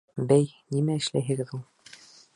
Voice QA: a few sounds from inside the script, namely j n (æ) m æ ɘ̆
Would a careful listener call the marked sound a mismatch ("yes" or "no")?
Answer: yes